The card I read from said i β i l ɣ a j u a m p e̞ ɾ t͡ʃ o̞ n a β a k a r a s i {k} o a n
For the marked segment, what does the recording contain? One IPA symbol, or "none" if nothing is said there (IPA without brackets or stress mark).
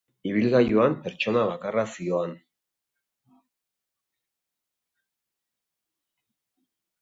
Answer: none